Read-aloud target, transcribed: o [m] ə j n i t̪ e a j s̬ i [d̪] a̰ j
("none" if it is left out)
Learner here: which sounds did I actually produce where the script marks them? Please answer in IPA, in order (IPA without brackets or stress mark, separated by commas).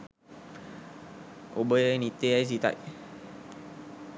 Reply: b, t̪